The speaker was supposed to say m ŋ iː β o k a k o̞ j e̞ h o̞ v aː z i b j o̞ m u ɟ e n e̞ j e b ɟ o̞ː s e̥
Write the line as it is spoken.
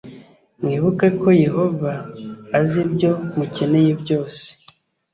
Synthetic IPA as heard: m ŋ iː β u k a k o̞ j e̞ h o̞ v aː z i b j o̞ m u c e n e̞ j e b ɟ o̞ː s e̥